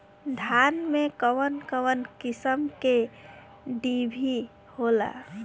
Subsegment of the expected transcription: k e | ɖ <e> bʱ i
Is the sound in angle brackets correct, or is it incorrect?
incorrect